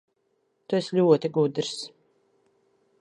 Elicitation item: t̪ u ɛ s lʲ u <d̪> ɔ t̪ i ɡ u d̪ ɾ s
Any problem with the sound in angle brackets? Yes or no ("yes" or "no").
yes